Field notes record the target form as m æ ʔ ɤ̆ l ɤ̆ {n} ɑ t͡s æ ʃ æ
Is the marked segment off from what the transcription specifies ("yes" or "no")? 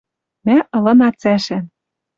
no